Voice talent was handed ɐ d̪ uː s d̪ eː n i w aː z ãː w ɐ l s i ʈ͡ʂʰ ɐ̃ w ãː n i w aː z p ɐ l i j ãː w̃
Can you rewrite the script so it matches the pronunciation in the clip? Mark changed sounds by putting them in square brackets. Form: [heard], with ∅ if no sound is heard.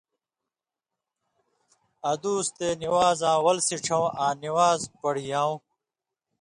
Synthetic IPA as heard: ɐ d̪ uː s [t̪] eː n i w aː z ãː w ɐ l s i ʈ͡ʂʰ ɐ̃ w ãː n i w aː z p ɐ [ɽ] i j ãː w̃